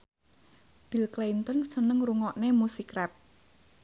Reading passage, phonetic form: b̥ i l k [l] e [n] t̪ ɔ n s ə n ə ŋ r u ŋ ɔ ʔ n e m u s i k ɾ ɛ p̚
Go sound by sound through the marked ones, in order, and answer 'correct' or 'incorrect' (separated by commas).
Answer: correct, correct